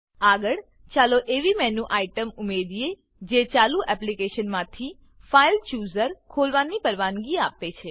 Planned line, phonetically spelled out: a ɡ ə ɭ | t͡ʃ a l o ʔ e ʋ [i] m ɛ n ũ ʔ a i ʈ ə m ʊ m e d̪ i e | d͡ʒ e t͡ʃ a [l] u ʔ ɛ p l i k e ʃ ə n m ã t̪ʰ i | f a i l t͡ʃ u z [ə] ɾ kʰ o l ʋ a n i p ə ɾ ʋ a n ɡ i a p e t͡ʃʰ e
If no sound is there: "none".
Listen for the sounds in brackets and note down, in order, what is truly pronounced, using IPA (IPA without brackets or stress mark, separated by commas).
i, l, ə